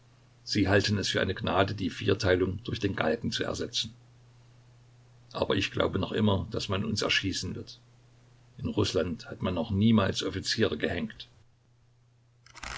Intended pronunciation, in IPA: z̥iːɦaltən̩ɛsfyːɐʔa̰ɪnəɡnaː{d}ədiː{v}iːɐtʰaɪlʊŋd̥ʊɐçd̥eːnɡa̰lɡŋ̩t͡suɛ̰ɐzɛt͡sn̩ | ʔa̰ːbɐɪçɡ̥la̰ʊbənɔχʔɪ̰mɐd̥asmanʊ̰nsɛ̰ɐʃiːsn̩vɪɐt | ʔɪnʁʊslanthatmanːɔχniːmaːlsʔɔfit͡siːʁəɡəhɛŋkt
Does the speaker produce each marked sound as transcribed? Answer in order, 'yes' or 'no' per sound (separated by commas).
yes, no